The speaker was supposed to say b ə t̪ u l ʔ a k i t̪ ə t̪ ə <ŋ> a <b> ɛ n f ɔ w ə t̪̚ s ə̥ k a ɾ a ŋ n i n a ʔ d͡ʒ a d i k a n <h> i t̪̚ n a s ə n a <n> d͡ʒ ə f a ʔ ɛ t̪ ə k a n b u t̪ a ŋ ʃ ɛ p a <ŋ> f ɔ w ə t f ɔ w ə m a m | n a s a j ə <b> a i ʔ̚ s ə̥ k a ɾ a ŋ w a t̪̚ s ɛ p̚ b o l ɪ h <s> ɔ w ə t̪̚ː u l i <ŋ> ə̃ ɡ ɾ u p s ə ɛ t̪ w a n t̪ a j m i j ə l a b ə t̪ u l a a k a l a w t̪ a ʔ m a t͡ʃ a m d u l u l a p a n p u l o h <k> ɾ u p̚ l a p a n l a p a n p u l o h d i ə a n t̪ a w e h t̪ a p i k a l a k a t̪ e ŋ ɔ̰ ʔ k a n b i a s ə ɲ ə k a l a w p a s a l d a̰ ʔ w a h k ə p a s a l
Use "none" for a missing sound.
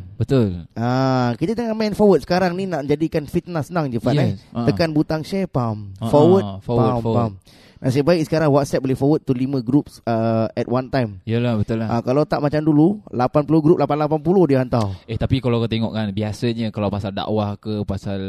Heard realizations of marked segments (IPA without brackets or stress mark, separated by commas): ŋ, m, f, ŋ, m, b, f, m, ɡ